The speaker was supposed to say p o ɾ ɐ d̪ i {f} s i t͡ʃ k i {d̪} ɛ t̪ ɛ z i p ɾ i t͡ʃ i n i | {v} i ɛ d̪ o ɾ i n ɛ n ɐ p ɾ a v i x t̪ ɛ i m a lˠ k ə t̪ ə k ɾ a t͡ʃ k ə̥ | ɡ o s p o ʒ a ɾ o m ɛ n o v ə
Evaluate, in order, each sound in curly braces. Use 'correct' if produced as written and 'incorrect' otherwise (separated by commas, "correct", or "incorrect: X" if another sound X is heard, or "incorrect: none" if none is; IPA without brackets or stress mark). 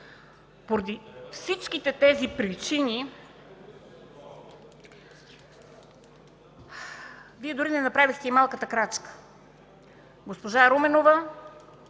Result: correct, incorrect: t̪, correct